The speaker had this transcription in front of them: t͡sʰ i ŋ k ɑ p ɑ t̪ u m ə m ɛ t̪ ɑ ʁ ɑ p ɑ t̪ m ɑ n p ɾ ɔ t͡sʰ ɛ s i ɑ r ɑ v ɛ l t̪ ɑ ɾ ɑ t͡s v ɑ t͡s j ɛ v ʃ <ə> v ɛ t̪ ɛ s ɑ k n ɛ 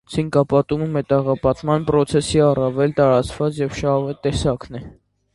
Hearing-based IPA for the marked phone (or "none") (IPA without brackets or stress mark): ɑ